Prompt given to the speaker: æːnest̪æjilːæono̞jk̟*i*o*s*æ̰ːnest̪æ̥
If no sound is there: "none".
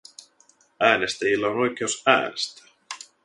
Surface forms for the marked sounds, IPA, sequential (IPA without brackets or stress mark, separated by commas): e, s